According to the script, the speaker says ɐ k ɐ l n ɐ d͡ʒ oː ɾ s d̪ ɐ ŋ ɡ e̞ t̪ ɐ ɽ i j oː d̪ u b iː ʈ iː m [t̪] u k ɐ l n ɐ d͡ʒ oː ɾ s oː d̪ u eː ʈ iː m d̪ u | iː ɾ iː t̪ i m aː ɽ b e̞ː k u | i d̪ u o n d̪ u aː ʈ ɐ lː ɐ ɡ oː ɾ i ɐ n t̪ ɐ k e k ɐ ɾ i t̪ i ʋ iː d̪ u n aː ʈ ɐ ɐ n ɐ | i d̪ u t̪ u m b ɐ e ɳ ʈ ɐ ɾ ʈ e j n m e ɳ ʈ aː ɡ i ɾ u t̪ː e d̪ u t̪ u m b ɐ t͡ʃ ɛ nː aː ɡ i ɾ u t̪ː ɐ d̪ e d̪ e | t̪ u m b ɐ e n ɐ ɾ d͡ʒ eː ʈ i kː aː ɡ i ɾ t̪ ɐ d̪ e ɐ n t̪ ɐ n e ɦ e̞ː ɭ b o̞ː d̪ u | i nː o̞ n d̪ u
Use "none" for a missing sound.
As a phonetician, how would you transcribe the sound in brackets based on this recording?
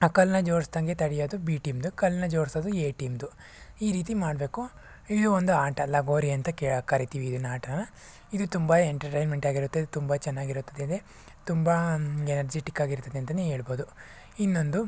d̪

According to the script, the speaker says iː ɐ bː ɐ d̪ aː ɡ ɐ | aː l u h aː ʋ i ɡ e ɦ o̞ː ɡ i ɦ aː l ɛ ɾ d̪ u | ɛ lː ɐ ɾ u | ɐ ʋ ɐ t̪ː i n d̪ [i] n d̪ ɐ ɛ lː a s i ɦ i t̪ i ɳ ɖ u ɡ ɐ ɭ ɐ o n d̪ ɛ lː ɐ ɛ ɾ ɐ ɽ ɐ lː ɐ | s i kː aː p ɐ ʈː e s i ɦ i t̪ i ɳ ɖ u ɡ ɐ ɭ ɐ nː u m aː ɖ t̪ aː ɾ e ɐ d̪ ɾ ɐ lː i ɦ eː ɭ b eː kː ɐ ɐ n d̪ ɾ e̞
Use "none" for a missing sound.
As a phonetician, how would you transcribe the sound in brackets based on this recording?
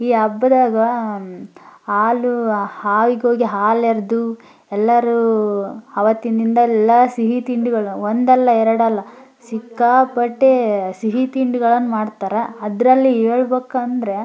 i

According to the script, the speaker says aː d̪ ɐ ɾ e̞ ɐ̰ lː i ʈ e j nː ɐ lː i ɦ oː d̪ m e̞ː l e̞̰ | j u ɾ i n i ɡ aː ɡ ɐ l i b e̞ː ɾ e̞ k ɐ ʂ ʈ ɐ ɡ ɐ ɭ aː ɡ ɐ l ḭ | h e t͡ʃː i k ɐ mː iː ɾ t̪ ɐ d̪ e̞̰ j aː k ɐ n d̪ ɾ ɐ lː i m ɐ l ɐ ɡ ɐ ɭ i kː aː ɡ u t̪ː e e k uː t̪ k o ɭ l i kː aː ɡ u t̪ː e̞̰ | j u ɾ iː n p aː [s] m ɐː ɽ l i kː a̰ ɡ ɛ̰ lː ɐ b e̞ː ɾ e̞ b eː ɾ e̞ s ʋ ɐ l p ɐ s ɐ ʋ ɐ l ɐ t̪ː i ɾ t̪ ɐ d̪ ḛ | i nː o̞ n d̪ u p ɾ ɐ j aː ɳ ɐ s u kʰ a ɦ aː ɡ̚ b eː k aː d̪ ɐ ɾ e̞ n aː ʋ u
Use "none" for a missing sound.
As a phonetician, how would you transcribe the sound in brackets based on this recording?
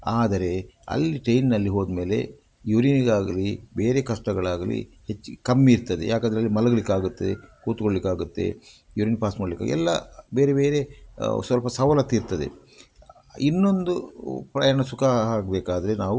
s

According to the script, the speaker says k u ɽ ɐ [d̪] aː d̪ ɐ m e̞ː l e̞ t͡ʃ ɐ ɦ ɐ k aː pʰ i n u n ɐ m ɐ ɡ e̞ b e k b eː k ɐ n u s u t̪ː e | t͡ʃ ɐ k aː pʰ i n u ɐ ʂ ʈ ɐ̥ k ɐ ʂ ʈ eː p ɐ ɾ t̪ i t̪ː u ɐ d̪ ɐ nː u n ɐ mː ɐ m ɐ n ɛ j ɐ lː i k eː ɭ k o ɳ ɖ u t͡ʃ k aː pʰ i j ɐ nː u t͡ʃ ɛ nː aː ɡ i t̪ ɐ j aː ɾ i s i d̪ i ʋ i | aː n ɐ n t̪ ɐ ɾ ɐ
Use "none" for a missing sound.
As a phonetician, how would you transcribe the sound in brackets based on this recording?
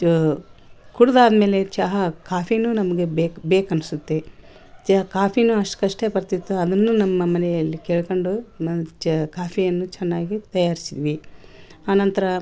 d̪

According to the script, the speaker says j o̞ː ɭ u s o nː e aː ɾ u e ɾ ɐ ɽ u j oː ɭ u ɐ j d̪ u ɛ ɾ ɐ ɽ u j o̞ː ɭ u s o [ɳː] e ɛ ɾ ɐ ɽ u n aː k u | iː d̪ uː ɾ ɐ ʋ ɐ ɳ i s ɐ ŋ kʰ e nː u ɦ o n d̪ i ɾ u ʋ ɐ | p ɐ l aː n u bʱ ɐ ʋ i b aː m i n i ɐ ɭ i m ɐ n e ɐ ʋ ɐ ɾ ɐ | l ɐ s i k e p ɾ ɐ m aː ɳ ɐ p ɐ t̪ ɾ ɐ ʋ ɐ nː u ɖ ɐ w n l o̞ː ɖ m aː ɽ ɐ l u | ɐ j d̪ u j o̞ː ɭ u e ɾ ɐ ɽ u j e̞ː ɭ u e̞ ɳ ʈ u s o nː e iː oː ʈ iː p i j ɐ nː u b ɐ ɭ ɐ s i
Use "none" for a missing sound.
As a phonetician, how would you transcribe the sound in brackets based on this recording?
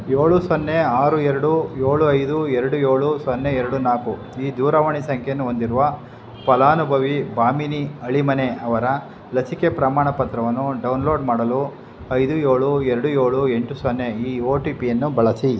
nː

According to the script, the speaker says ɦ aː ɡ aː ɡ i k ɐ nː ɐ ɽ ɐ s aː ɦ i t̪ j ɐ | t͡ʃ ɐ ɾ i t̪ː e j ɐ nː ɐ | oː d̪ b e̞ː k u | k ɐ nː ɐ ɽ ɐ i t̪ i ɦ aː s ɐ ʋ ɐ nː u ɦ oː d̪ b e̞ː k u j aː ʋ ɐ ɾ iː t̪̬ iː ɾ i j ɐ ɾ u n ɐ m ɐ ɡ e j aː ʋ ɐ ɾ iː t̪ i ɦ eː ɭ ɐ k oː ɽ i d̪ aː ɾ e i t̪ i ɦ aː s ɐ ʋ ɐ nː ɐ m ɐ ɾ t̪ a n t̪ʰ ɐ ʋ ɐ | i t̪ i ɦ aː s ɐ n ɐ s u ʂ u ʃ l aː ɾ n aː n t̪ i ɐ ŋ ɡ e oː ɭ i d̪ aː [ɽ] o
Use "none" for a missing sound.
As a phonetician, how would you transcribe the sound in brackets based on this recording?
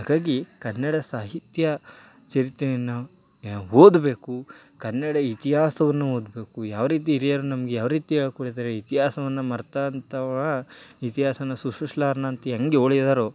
ɾ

